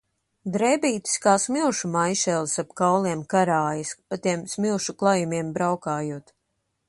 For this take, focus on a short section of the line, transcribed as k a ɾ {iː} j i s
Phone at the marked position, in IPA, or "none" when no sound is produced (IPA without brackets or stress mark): aː